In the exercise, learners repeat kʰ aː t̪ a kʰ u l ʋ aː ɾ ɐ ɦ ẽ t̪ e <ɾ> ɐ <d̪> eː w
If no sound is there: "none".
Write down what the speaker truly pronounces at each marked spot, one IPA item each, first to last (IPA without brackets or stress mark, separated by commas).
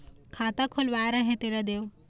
ɾ, d̪